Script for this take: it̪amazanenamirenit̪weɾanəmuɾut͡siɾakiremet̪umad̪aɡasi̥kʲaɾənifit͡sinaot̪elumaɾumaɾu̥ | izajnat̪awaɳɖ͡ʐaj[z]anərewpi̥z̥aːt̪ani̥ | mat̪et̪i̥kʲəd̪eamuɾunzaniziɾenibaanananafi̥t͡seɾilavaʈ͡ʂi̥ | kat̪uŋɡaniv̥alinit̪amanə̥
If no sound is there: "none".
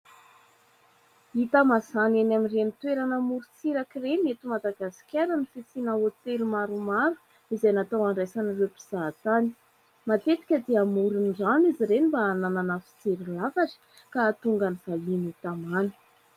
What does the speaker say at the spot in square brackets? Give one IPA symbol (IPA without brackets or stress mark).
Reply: s